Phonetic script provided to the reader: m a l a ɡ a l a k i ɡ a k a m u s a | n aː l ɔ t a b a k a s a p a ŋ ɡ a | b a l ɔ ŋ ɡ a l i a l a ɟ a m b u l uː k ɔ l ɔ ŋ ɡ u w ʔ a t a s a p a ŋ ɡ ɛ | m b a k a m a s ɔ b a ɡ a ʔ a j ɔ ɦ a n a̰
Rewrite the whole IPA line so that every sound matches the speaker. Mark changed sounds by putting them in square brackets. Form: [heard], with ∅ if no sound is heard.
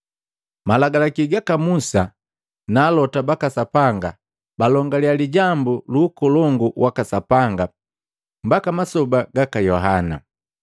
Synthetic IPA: m a l a ɡ a l a k i ɡ a k a m u s a | n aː l ɔ t a b a k a s a p a ŋ ɡ a | b a l ɔ ŋ ɡ a l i a l [i] ɟ a m b u l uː k ɔ l ɔ ŋ ɡ u w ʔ a [k] a s a p a ŋ ɡ [a] | m b a k a m a s ɔ b a ɡ a [k] a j ɔ ɦ a n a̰